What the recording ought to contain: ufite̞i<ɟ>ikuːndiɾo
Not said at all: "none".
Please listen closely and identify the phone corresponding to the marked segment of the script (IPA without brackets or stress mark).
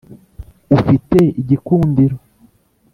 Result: ɟ